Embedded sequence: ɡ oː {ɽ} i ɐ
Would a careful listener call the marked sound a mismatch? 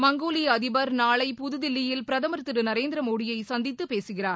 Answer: yes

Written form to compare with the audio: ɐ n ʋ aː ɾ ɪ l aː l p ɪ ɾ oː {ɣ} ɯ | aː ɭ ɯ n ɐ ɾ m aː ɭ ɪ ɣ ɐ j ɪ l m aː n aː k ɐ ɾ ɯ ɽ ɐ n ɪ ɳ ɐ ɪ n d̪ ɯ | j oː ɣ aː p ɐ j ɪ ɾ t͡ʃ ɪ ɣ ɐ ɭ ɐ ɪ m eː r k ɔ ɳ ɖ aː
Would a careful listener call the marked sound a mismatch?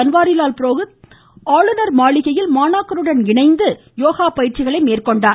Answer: no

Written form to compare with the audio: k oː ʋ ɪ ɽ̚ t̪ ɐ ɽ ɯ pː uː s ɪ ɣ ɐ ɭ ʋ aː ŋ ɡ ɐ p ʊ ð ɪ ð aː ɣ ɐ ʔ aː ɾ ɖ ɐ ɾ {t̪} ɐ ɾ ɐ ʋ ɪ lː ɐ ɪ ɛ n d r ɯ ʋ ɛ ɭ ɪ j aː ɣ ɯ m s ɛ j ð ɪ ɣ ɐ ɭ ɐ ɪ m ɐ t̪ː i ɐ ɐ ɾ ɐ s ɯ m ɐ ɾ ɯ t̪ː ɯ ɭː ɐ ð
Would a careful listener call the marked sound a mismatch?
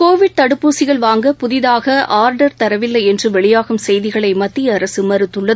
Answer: no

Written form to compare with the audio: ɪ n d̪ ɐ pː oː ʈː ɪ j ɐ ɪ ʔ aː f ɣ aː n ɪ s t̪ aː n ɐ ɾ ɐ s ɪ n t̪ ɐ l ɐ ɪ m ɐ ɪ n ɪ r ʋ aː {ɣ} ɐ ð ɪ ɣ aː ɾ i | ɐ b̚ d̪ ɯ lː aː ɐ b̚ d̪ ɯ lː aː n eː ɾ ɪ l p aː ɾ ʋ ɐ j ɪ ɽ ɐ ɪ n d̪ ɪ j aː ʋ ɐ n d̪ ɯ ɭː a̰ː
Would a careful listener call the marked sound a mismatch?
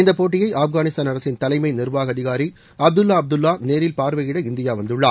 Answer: no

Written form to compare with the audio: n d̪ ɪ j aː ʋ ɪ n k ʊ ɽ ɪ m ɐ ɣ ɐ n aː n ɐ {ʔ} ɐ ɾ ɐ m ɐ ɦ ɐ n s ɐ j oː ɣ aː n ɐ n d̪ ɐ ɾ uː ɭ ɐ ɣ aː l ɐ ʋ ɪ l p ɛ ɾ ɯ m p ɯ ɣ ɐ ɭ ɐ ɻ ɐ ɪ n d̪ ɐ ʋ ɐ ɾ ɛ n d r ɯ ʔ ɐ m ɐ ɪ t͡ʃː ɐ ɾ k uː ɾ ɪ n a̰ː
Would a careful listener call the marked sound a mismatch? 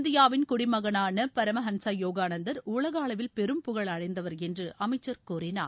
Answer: yes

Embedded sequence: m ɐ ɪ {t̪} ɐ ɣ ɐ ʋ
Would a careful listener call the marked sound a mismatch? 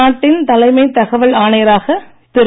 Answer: no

